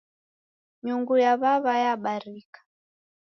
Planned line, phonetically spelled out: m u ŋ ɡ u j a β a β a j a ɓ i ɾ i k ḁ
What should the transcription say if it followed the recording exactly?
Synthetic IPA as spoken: ɲ u ŋ ɡ u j a β a β a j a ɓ a ɾ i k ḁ